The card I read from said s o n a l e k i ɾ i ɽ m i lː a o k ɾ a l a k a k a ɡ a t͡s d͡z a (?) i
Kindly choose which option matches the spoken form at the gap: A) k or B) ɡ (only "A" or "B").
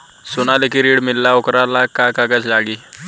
B